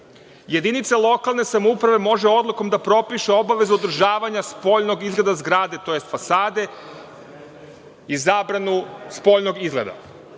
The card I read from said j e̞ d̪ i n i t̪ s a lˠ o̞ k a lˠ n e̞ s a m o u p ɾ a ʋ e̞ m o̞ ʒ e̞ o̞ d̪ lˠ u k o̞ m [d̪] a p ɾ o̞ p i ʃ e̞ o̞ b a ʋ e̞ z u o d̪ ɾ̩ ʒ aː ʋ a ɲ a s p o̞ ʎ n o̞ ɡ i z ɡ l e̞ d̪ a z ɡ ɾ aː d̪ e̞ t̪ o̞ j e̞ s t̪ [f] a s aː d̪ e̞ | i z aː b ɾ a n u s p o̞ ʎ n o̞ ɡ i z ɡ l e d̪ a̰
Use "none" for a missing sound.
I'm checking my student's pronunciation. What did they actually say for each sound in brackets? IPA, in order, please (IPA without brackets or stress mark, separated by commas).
d̪, f